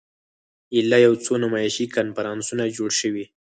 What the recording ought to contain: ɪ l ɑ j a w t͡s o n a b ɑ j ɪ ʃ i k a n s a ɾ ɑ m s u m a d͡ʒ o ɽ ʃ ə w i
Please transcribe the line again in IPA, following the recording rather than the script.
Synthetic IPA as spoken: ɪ l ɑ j a w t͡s o n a m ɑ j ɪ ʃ i k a n f a ɾ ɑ n s u n a d͡ʒ o ɽ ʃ ə w i

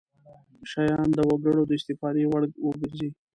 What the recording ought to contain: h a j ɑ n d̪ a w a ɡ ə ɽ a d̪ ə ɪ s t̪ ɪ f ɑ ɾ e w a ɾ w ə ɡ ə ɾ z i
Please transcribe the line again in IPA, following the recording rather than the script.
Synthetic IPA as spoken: ʃ a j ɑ n d̪ ə w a ɡ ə ɽ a d̪ ə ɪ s t̪ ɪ f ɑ ɾ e w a ɽ w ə ɡ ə ɾ z i

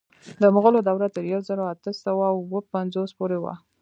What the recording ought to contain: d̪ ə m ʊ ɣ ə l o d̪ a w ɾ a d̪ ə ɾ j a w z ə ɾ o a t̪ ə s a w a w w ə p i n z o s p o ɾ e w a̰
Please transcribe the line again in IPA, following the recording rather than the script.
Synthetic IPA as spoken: d̪ ə m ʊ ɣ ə l o d̪ a w ɾ a t̪ ə ɾ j a w z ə ɾ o a t̪ ə s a w a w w ə p a n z o s p o ɾ e w a̰

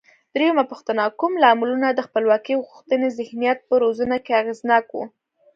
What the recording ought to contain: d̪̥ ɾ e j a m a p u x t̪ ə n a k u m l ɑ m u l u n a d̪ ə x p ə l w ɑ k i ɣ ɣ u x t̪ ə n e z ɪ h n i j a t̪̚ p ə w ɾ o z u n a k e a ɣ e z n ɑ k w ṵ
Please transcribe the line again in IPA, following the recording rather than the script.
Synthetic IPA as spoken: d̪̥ ɾ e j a m a p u x t̪ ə n a k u m l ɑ m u l u n a d̪ ə x p ə l w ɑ k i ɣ ɣ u x t̪ ə n e z ɪ h n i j a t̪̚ p ə ɾ o z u n a k e a ɣ e z n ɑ k w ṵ

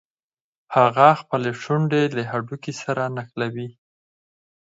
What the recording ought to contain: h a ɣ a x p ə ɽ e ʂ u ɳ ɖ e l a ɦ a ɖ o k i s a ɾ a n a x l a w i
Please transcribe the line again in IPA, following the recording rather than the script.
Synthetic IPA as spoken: h a ɣ a x p ə l e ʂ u ɳ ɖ e l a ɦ a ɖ u k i s a ɾ a n a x l a w i

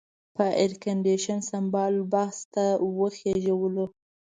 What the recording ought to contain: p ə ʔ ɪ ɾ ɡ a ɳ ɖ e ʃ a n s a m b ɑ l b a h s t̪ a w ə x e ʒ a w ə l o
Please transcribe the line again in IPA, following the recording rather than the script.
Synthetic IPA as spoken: p ə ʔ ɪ ɾ k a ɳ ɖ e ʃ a n s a m b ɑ l b a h s t̪ a w ə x e ʒ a w ə l o

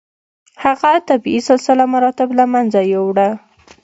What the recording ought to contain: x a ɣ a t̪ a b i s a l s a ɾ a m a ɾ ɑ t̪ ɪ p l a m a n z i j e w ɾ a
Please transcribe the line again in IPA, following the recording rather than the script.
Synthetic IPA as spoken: h a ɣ a t̪ a b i s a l s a l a m a ɾ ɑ t̪ ɪ b l a m a n z a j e w ɽ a

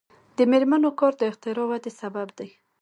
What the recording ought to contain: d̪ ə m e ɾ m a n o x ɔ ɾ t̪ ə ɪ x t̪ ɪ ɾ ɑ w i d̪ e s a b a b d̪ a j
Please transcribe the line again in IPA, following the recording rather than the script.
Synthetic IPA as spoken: d̪ ə m e ɾ m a n o k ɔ ɾ d̪ ə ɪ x t̪ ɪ ɾ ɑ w a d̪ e s a b a b d̪ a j

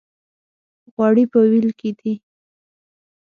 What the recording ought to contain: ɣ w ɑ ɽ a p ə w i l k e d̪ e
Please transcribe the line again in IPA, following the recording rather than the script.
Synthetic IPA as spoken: ɣ w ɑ ɽ i p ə w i l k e d̪ i

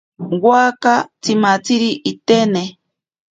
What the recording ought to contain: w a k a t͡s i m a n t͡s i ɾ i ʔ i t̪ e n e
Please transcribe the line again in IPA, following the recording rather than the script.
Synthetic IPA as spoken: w a k a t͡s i m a t͡s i ɾ i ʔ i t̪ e n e

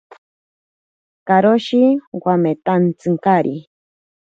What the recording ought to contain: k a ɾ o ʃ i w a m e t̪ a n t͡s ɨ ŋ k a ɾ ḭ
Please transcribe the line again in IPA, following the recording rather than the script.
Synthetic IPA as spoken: k a ɾ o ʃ i w a m e t̪ a n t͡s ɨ ŋ k a ɾ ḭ

